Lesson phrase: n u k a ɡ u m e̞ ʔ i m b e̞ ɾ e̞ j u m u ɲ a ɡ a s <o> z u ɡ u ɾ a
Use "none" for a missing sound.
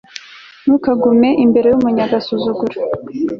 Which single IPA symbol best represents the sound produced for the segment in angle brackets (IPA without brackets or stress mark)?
u